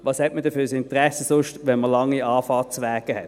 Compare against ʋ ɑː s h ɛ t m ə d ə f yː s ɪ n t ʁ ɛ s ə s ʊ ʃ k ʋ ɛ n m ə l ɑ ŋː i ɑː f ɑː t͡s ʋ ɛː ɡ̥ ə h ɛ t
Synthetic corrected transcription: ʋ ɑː s h ɛ t m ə d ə f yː s ɪ n t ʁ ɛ s ə s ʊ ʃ t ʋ ɛ n m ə l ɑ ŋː i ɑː f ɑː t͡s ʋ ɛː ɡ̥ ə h ɛ t